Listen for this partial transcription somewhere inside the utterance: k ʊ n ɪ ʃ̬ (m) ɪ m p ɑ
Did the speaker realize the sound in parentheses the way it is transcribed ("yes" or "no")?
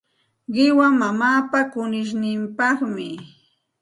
no